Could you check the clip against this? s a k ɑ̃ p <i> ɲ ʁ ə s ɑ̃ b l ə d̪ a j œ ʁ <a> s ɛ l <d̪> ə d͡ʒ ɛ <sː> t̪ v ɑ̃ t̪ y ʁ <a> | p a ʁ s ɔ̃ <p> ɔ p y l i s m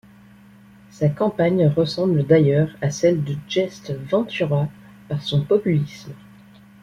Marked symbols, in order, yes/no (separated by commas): no, yes, yes, no, yes, yes